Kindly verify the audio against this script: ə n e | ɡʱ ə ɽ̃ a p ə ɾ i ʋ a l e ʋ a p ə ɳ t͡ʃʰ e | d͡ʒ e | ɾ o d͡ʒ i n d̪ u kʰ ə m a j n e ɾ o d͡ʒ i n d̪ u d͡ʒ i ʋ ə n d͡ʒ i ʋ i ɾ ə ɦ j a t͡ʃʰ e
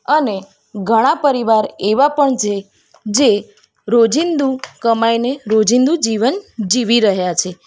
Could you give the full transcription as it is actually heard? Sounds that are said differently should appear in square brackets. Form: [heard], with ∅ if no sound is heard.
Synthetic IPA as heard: ə n e | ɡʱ ə ɽ̃ a p ə ɾ i ʋ a [ɾ] e ʋ a p ə ɳ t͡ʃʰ e | d͡ʒ e | ɾ o d͡ʒ i n d̪ u [k] ə m a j n e ɾ o d͡ʒ i n d̪ u d͡ʒ i ʋ ə n d͡ʒ i ʋ i ɾ ə ɦ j a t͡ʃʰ e